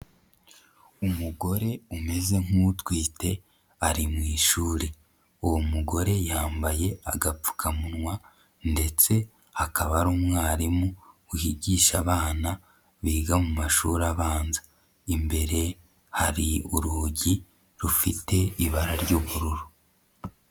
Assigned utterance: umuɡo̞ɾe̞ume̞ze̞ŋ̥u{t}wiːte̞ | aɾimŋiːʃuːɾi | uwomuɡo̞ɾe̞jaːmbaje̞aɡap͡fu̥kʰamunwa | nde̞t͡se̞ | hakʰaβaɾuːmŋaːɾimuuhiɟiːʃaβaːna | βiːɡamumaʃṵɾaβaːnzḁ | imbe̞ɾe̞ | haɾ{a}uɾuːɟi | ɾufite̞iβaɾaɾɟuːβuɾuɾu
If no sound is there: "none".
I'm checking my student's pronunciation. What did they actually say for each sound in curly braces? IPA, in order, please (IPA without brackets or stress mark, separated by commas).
t, i